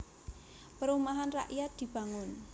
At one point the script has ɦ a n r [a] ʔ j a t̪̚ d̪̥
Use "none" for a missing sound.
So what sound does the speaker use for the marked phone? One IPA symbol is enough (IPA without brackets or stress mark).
a